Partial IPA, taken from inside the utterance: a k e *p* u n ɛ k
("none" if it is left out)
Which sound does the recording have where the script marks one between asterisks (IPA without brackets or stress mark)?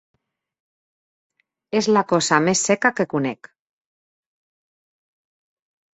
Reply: k